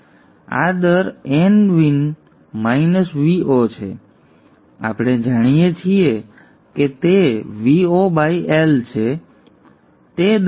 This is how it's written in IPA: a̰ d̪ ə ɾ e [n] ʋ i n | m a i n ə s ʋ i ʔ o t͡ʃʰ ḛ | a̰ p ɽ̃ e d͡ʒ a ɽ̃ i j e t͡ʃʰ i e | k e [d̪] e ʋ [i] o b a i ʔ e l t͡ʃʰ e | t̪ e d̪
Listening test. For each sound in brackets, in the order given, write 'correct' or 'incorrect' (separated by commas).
correct, incorrect, correct